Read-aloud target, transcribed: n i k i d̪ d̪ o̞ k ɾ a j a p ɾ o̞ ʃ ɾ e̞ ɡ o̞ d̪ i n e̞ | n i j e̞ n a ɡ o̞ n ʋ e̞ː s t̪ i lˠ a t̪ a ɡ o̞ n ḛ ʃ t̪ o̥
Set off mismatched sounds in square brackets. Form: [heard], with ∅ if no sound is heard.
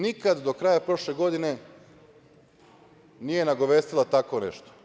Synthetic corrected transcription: n i k [a] d̪ d̪ o̞ k ɾ a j a p ɾ o̞ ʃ [l] e̞ ɡ o̞ d̪ i n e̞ | n i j e̞ n a ɡ o̞ [∅] ʋ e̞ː s t̪ i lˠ a t̪ a [k] o̞ n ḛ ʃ t̪ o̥